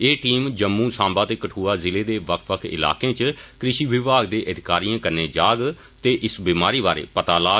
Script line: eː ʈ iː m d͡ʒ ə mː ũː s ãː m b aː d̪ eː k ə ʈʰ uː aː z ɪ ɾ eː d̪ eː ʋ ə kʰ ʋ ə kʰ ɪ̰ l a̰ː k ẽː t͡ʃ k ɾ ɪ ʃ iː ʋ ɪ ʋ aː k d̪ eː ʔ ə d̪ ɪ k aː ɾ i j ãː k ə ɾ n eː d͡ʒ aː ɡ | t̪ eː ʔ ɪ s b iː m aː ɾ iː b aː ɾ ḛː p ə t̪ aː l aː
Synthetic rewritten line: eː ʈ iː m d͡ʒ ə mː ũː s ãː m b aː t̪ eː k ə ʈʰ uː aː z ɪ l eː d̪ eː ʋ ə kʰ ʋ ə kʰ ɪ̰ l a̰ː k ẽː t͡ʃ k ɾ ɪ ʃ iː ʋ ɪ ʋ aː ɡ d̪ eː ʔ ə d̪ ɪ k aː ɾ i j ãː k ə ɾ n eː d͡ʒ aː ɡ | t̪ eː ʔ ɪ s b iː m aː ɾ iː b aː ɾ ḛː p ə t̪ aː l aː